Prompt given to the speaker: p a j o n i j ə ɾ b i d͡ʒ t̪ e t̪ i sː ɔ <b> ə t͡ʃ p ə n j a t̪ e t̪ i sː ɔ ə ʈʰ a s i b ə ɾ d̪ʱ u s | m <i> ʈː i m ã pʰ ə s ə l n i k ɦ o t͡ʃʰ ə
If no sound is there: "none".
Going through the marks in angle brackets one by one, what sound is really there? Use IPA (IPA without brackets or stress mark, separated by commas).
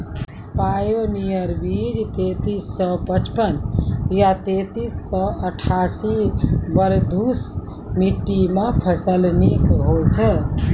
p, i